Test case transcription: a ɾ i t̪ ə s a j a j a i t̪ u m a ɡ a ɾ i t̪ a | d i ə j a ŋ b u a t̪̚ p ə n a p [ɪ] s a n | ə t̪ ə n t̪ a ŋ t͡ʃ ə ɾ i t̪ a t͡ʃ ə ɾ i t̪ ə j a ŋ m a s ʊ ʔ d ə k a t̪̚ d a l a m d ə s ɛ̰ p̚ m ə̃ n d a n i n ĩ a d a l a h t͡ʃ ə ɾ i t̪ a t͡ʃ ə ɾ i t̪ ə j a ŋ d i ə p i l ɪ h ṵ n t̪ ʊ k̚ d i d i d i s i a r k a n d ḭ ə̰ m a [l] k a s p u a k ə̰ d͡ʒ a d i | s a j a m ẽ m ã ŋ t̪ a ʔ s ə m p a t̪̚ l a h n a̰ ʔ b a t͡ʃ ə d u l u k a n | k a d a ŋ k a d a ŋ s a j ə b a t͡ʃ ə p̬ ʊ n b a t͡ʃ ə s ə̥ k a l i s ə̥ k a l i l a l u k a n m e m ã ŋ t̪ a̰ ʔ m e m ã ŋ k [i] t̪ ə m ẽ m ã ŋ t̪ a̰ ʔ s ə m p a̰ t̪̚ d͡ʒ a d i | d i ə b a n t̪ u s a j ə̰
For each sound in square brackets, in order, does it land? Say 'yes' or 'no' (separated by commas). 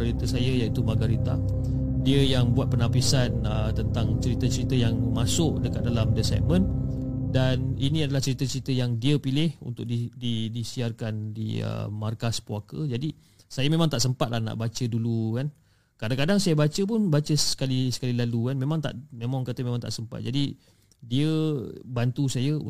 no, no, no